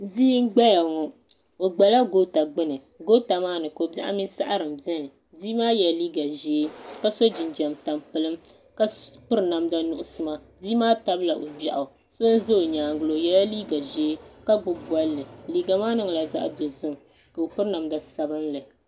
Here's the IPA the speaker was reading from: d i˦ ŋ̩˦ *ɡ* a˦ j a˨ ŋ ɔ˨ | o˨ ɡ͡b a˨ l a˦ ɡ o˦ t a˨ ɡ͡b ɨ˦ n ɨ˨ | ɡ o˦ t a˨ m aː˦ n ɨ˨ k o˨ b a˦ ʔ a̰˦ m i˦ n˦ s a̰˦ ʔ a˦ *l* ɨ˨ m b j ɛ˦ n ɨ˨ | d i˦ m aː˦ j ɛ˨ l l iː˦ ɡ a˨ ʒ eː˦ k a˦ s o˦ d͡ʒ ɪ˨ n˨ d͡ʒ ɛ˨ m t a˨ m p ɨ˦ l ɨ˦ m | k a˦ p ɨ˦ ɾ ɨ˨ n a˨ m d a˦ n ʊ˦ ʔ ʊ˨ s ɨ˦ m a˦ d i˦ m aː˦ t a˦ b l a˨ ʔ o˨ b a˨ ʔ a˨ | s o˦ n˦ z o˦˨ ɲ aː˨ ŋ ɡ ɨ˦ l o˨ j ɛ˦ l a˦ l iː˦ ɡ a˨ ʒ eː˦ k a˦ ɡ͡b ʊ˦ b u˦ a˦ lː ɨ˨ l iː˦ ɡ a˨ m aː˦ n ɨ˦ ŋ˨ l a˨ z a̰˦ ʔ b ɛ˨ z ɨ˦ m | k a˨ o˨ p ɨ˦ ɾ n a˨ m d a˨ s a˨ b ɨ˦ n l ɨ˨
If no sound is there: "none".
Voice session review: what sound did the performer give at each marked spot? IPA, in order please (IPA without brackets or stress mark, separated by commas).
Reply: ɡ͡b, ɾ